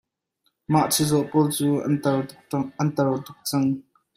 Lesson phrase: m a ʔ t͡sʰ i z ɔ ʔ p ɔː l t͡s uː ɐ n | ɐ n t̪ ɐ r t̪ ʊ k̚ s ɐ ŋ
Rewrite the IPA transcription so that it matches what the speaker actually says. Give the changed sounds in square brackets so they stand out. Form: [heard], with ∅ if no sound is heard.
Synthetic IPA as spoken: m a ʔ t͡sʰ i z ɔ ʔ p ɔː l t͡s uː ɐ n | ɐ n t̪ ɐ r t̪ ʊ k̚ [t͡s] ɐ ŋ